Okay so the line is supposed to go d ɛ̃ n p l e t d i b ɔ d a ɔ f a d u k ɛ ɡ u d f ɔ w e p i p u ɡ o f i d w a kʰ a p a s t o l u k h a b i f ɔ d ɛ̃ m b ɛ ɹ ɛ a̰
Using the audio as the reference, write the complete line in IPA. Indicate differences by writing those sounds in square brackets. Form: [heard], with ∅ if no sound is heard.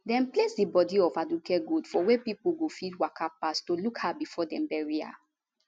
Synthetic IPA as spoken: d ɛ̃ n p l e [s] d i b ɔ d [i] ɔ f a d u k ɛ ɡ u d f ɔ w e p i p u ɡ o f i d w a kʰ a p a s t o l u k h a b i f ɔ d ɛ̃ m b ɛ ɹ [i] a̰